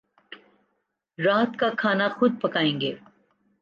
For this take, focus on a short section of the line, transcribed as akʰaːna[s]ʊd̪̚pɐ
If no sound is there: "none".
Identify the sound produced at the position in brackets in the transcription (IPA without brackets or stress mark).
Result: x